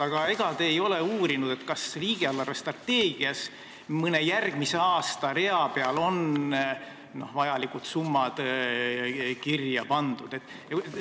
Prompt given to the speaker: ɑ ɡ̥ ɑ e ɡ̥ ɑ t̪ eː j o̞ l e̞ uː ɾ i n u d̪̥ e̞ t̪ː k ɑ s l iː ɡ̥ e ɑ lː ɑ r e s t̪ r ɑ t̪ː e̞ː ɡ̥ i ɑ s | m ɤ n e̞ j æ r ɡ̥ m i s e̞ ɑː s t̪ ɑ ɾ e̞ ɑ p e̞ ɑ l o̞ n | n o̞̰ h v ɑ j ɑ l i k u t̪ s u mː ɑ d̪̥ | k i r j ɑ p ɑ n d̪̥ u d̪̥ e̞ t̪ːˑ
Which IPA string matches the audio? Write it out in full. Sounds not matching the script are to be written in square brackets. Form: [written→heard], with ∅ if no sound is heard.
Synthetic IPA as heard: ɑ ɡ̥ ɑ e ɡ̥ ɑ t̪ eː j o̞ l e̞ uː ɾ i n u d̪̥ e̞ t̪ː k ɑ s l iː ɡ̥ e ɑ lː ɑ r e s t̪ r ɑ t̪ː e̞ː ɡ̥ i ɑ s | m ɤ n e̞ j æ r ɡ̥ m i s e̞ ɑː s t̪ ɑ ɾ e̞ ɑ p e̞ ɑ l o̞ n | n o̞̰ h v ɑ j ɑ l i k u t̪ s u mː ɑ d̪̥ | k i r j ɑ p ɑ n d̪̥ u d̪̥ e̞ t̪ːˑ